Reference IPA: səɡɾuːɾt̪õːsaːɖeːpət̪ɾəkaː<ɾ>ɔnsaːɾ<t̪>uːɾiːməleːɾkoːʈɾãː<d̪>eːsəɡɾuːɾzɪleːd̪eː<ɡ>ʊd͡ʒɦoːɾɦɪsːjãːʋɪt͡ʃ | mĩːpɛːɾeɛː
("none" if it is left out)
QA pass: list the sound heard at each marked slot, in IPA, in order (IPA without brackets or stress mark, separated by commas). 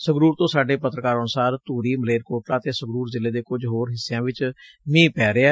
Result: ɾ, t̪, t̪, k